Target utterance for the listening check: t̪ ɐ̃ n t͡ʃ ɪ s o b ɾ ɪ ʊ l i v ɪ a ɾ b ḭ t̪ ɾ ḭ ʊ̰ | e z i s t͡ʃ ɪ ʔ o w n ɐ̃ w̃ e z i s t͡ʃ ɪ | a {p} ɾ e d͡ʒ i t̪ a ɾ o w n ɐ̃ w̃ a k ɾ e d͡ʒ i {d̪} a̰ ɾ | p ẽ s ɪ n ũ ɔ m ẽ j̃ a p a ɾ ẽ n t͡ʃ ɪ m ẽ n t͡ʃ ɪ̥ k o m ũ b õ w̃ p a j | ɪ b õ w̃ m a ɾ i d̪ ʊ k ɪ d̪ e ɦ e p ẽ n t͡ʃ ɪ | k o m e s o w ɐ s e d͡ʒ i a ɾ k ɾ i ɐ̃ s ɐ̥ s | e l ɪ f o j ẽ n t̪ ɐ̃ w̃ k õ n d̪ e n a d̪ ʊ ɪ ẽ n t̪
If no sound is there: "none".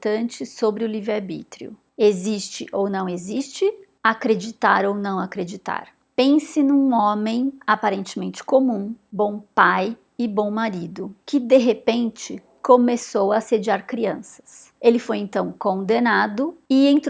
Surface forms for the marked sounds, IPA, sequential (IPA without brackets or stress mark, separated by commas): k, t̪